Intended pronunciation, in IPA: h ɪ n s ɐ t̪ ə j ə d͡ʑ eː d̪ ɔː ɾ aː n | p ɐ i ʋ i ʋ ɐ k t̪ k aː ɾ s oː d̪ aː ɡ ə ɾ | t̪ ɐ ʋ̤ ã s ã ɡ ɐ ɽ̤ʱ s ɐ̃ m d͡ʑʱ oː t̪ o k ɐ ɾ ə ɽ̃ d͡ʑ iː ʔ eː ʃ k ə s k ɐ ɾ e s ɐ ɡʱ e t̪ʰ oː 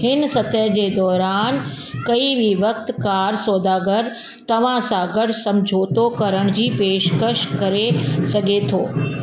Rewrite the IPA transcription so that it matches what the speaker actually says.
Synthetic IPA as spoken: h ɪ n s ɐ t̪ ə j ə d͡ʑ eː d̪ ɔː ɾ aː n | k ɐ i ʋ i ʋ ɐ k t̪ k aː ɾ s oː d̪ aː ɡ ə ɾ | t̪ ɐ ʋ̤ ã s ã ɡ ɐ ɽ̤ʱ s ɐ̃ m d͡ʑʱ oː t̪ o k ɐ ɾ ə ɽ̃ d͡ʑ iː p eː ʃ k ə ʃ k ɐ ɾ e s ɐ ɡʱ e t̪ʰ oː